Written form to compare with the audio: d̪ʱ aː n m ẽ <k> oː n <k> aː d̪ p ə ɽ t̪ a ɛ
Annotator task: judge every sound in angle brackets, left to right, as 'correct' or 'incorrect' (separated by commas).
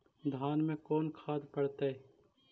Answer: correct, incorrect